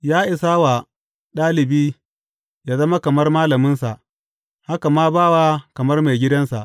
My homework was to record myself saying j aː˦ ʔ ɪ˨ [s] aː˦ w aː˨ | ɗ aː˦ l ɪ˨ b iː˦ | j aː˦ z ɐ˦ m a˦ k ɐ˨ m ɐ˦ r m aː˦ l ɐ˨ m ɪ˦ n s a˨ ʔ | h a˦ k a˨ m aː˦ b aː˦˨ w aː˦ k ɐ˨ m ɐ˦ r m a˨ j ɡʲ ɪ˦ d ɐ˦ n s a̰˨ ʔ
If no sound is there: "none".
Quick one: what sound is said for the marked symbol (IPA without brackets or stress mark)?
s